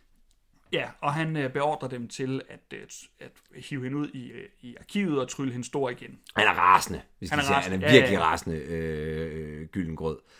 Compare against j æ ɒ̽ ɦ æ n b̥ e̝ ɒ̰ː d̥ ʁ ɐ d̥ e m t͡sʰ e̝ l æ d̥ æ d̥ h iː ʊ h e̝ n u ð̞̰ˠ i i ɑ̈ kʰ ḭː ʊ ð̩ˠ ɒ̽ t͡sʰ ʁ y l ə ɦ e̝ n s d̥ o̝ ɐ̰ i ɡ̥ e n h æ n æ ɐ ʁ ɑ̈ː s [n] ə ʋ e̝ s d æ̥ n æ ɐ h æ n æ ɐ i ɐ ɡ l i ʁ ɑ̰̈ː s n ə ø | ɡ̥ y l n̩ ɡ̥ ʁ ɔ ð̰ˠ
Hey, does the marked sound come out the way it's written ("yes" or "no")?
yes